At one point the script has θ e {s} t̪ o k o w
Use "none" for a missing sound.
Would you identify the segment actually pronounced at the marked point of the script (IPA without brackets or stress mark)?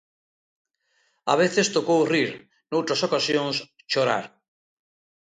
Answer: s